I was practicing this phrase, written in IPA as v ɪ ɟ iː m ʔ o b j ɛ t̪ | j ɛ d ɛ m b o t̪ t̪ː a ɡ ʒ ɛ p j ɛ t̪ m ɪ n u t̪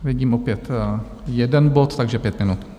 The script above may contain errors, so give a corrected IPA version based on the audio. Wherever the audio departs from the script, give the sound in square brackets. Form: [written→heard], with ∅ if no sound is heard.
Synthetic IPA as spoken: v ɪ ɟ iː m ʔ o [b→p] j ɛ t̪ | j ɛ d ɛ [m→n] b o t̪ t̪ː a ɡ ʒ ɛ p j ɛ t̪ m ɪ n u t̪